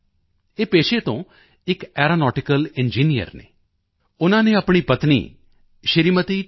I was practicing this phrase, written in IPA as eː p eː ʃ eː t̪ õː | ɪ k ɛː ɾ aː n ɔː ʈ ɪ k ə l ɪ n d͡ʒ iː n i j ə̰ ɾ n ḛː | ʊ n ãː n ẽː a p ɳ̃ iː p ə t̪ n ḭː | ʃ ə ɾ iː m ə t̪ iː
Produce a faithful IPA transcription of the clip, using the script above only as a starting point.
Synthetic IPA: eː p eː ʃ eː t̪ õː | ɪ k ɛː ɾ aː n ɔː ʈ ɪ k ə l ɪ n d͡ʒ iː n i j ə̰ ɾ n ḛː | ʊ n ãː n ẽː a p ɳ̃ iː p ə t̪ n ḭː | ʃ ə ɾ iː m ə t̪ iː